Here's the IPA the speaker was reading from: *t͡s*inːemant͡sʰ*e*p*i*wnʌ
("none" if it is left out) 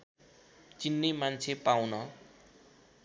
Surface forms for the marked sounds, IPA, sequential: t͡s, e, a

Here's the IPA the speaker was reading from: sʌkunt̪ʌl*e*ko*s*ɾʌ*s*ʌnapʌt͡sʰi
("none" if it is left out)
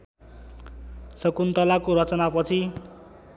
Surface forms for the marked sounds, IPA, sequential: a, none, t͡s

